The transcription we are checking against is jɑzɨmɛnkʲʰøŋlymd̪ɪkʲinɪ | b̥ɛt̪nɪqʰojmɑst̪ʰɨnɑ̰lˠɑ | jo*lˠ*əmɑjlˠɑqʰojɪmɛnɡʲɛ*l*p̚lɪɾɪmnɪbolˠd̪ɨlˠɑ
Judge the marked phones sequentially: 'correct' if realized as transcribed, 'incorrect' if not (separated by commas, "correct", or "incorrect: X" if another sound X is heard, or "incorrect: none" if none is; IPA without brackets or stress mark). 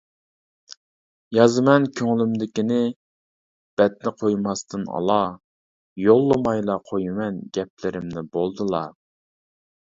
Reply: incorrect: lˠː, incorrect: none